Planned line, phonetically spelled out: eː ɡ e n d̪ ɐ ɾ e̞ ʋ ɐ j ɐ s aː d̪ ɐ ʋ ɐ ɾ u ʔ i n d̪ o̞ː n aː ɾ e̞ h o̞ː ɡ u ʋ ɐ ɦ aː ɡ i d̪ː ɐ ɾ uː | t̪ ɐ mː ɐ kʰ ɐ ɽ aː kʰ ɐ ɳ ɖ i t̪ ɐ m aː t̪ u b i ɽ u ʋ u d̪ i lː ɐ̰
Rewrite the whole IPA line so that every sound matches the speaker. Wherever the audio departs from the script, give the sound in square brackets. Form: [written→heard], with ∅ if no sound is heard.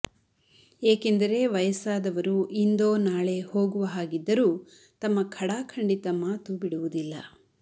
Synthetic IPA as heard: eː [ɡ→k] e n d̪ ɐ ɾ e̞ ʋ ɐ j ɐ s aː d̪ ɐ ʋ ɐ ɾ u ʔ i n d̪ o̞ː n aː [ɾ→ɭ] e̞ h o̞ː ɡ u ʋ ɐ ɦ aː ɡ i d̪ː ɐ ɾ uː | t̪ ɐ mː ɐ kʰ ɐ ɽ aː kʰ ɐ ɳ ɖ i t̪ ɐ m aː t̪ u b i ɽ u ʋ u d̪ i lː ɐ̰